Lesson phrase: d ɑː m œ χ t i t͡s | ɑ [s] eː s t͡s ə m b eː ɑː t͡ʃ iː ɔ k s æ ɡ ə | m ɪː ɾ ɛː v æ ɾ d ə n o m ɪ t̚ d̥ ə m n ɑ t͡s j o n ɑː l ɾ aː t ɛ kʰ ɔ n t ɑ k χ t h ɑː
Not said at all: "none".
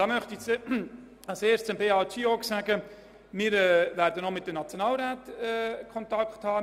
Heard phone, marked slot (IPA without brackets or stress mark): s